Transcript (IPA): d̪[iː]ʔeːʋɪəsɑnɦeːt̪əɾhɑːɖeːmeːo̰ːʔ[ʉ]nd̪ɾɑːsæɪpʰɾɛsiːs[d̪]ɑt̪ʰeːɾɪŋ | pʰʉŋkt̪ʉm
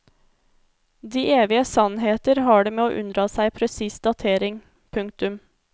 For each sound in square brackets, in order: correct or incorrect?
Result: correct, correct, correct

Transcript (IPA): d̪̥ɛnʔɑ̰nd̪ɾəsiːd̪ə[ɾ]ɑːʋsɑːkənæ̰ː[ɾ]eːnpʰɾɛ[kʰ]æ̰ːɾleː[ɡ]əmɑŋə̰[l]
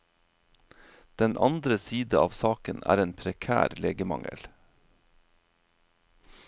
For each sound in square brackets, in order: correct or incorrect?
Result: incorrect: none, correct, correct, correct, correct

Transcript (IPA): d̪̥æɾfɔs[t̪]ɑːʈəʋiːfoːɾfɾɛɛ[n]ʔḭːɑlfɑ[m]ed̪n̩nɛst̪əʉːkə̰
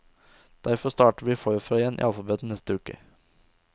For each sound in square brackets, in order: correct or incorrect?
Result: correct, correct, incorrect: b

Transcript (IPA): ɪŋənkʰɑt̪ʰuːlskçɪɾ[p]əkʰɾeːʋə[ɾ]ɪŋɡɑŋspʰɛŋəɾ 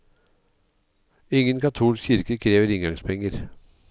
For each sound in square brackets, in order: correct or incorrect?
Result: incorrect: k, correct

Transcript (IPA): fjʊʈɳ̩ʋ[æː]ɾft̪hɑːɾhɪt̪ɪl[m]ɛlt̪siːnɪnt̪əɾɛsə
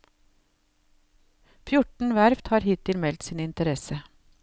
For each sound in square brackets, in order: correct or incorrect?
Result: incorrect: æ, correct

